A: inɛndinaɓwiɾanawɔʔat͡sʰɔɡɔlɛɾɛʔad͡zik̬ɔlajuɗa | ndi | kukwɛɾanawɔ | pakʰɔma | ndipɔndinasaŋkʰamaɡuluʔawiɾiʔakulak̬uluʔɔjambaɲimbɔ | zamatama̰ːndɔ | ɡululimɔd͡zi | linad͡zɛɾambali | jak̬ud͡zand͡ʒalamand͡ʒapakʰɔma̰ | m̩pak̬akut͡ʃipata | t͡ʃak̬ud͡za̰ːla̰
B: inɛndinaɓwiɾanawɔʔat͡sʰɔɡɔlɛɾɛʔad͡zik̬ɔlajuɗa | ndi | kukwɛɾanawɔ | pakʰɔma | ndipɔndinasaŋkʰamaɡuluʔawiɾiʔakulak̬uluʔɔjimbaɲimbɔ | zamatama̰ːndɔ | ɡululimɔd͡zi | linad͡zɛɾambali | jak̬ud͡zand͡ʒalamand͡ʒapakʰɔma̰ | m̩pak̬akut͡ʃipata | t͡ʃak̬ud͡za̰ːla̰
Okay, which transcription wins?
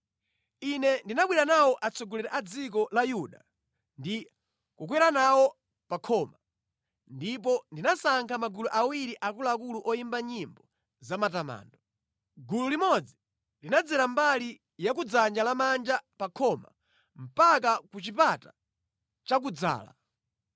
B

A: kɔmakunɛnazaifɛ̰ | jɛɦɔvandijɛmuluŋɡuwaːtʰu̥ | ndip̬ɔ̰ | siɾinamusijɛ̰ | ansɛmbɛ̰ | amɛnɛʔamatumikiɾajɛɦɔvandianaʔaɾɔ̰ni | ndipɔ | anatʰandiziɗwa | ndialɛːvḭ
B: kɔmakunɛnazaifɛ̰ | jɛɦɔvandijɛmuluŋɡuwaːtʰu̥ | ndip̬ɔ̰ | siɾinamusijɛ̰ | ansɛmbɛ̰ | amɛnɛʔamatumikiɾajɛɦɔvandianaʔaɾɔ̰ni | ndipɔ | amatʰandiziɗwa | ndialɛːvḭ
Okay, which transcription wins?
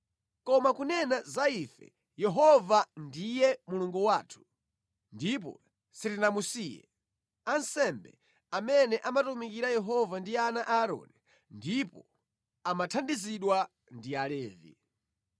B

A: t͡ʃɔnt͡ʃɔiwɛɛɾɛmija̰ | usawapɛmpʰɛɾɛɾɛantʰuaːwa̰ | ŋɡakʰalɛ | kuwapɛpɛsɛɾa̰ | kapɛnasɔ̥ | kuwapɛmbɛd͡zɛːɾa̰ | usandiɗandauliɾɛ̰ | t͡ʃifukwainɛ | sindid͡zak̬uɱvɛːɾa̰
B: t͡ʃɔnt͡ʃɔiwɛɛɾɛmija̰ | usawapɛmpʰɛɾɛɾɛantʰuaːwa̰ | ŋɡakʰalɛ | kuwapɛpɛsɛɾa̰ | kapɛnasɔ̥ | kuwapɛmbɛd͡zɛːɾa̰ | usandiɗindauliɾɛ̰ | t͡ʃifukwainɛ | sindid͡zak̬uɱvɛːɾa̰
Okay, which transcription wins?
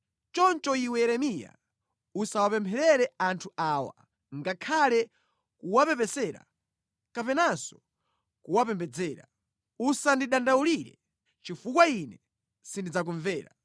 A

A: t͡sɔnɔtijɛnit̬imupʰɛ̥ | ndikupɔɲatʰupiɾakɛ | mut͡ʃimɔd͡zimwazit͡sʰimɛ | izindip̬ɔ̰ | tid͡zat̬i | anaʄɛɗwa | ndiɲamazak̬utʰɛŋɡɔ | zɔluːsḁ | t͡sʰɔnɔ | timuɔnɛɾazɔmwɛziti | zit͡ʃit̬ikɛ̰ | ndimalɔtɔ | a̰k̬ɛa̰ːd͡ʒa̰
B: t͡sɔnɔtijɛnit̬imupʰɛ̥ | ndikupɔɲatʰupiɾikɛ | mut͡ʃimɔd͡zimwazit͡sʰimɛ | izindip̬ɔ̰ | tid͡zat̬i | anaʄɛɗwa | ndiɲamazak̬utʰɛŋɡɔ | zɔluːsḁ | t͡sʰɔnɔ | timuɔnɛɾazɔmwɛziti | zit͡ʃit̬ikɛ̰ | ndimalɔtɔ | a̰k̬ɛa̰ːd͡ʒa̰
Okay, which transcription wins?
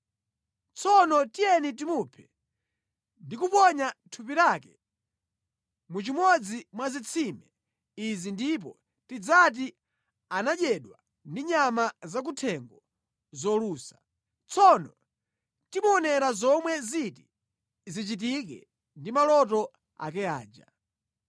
A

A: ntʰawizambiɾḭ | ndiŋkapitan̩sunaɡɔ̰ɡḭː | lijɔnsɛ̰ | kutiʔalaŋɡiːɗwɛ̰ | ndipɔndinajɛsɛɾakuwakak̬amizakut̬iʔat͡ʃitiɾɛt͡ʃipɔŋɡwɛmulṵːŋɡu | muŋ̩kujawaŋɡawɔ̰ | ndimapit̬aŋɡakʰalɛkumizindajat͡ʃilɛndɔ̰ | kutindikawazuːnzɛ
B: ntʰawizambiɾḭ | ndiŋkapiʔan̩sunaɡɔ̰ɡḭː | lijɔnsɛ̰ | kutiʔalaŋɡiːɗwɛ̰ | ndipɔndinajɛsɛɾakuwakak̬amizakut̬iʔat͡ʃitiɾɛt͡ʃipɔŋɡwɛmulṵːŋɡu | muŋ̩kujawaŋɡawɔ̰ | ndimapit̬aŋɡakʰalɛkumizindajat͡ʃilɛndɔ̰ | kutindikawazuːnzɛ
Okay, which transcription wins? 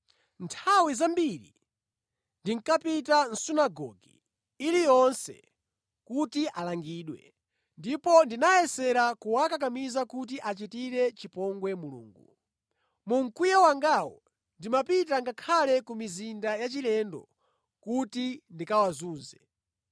A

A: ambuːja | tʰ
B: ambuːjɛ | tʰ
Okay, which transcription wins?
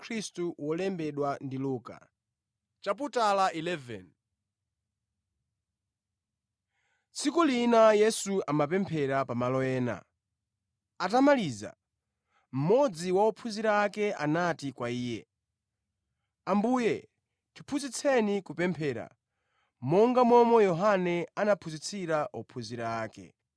B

